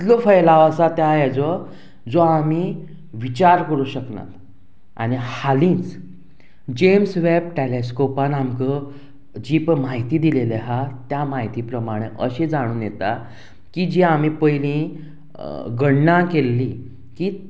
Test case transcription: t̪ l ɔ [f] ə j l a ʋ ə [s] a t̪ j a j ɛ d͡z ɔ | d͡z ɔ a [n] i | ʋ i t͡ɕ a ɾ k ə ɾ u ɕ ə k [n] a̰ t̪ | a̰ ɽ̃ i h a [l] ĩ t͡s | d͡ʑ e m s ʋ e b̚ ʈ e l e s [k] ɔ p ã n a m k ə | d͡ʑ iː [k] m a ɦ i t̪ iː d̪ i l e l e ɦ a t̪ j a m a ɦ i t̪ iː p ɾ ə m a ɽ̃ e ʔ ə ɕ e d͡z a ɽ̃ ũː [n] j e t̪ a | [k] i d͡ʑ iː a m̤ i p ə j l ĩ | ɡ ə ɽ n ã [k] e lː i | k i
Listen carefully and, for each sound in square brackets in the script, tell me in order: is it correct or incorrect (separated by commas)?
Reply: correct, correct, incorrect, correct, correct, correct, incorrect, correct, correct, correct